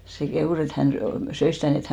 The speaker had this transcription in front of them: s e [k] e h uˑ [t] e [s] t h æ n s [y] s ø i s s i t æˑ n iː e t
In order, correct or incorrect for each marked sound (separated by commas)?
correct, incorrect, incorrect, correct